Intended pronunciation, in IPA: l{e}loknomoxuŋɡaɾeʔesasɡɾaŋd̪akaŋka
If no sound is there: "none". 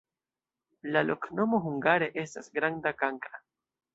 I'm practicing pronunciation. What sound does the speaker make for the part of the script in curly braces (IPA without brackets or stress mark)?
a